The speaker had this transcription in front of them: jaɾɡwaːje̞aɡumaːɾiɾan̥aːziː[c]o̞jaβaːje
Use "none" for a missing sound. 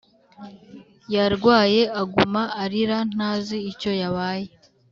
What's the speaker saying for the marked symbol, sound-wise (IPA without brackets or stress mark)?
c